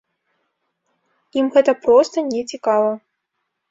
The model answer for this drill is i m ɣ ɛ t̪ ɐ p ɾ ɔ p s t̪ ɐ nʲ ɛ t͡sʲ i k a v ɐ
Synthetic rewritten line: i m ɣ ɛ t̪ ɐ p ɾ ɔ s t̪ ɐ nʲ ɛ t͡sʲ i k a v ɐ